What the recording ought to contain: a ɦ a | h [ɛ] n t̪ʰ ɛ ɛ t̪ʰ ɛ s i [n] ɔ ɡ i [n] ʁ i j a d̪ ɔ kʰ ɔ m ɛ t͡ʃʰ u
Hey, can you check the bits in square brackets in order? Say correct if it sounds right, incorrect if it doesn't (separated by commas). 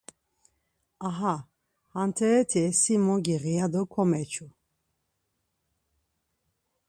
incorrect, incorrect, incorrect